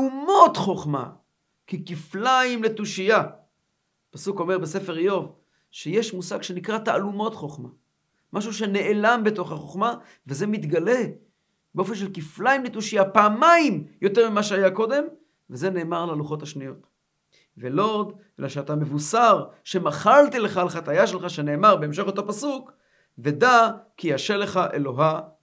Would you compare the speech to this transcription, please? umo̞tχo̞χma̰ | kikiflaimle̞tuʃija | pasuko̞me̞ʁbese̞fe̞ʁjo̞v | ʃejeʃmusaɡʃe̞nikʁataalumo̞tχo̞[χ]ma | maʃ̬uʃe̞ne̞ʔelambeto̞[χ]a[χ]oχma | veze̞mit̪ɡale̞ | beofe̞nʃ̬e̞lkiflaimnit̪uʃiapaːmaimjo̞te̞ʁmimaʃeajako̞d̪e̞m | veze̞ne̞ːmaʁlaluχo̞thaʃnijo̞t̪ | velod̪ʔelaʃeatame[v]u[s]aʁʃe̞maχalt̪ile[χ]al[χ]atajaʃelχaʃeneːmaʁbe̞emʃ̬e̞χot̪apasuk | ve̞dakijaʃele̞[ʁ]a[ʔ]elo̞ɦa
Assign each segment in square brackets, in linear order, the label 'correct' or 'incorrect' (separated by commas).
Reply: correct, correct, correct, correct, correct, correct, correct, incorrect, correct